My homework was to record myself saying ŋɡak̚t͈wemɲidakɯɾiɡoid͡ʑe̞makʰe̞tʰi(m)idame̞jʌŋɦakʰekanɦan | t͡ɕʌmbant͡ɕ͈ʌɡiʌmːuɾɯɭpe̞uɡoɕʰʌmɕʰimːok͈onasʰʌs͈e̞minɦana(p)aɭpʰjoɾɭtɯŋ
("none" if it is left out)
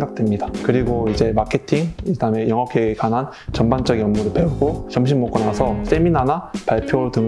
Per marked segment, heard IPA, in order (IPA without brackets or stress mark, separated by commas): ŋ, p